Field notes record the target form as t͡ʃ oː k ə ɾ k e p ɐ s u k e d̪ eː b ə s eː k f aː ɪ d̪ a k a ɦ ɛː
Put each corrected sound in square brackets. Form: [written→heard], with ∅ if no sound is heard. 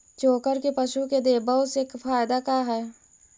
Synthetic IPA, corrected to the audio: t͡ʃ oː k ə ɾ k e p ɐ [s→ʃ] u k e d̪ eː b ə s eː k f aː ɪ d̪ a k a ɦ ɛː